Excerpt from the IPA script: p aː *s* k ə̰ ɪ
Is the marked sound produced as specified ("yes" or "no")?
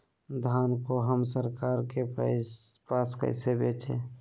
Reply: yes